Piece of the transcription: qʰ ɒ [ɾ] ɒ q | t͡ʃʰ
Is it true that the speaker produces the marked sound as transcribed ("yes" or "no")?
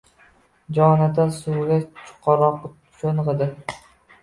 yes